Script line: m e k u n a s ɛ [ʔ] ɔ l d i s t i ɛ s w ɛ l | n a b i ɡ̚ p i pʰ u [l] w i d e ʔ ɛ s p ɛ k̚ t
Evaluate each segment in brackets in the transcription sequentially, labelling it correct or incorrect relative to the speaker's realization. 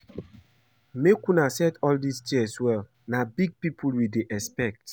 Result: incorrect: t, correct

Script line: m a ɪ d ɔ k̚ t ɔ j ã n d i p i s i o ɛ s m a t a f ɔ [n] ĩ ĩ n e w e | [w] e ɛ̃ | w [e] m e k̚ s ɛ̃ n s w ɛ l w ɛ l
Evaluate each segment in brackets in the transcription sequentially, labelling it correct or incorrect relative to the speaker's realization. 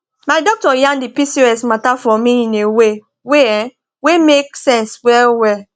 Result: incorrect: m, correct, correct

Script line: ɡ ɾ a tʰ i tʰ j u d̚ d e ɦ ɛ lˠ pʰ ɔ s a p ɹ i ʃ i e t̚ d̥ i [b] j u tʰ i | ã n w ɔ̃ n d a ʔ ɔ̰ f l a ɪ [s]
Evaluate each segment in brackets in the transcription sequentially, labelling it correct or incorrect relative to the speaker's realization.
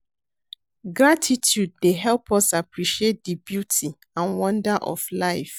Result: correct, incorrect: f

